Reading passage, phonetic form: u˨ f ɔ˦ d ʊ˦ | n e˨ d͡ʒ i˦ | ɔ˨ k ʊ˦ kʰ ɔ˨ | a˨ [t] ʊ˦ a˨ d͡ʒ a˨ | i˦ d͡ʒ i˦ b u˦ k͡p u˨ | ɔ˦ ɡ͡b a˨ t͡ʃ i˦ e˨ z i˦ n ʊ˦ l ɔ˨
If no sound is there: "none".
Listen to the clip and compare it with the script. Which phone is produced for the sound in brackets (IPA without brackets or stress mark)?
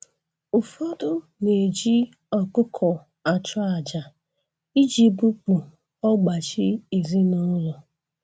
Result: t͡ʃ